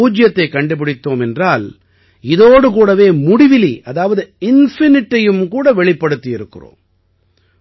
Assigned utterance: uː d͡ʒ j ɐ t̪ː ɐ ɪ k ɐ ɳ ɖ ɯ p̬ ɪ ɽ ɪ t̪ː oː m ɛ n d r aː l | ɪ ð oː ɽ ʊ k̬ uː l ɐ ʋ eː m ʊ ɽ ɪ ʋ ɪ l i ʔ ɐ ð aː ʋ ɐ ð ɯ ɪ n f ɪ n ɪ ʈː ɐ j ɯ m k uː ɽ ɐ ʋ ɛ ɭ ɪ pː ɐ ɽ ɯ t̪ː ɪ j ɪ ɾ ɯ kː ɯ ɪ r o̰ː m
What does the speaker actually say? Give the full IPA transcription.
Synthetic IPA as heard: uː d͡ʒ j ɐ t̪ː ɐ ɪ k ɐ ɳ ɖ ɯ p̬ ɪ ɽ ɪ t̪ː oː m ɛ n d r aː l | ɪ ð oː ɽ ɯ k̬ uː ɽ ɐ ʋ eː m ʊ ɽ ɪ ʋ ɪ l i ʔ ɐ ð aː ʋ ɐ ð ɯ ɪ n f ɪ n ɪ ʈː ɐ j ɯ m k uː ɽ ɐ ʋ ɛ ɭ ɪ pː ɐ ɽ ɯ t̪ː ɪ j ɪ ɾ ɯ kː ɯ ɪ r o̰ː m